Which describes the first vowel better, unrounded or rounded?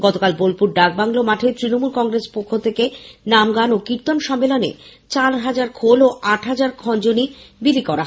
rounded